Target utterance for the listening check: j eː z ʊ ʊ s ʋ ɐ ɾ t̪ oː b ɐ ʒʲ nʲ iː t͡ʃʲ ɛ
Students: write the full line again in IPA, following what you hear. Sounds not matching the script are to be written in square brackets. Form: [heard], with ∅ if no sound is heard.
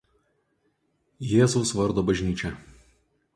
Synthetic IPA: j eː z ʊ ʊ s ʋ ɐ ɾ [d̪] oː b ɐ ʒʲ nʲ iː t͡ʃʲ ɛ